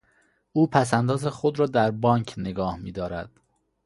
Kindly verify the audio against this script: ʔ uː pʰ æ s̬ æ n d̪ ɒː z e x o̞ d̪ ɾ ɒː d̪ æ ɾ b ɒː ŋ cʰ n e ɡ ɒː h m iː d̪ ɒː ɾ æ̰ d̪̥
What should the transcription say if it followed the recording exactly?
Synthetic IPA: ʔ uː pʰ æ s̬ æ n d̪ ɒː z e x o̞ d̪ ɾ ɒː d̪ æ ɾ b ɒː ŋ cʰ n e ɡ ɒː h m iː d̪ ɒː ɾ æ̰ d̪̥